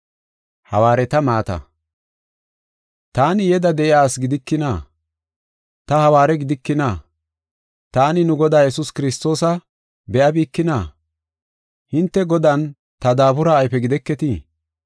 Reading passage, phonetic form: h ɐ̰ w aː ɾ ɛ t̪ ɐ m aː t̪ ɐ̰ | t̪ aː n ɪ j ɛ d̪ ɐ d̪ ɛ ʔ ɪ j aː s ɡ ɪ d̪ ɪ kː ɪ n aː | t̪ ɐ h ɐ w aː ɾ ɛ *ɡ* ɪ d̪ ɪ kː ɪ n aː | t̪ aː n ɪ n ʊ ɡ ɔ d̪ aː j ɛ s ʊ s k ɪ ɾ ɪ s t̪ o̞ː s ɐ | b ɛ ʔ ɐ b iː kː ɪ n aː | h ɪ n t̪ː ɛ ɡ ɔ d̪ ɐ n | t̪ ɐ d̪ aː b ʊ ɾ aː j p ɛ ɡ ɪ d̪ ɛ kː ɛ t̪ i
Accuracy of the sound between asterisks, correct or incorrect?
correct